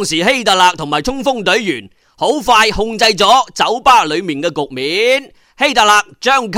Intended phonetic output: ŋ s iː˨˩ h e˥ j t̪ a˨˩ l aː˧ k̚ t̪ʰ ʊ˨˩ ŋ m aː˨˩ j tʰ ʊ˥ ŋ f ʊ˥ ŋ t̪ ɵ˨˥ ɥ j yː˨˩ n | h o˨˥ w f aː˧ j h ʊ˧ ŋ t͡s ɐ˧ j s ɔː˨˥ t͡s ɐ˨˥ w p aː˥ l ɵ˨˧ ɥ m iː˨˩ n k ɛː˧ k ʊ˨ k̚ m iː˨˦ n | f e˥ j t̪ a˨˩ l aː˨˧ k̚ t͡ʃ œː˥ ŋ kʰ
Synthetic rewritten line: ŋ s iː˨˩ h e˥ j t̪ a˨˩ l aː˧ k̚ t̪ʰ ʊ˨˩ ŋ m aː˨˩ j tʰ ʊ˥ ŋ f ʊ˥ ŋ t̪ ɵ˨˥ ɥ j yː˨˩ n | h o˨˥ w f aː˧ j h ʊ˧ ŋ t͡s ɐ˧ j t͡s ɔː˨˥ t͡s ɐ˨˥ w p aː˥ l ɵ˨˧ ɥ m iː˨˩ n k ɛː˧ k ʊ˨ k̚ m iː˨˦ n | h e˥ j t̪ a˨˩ l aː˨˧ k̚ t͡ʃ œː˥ ŋ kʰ